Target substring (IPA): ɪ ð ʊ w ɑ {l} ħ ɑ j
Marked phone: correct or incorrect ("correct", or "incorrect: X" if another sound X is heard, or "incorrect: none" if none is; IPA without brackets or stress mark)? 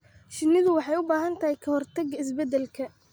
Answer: incorrect: none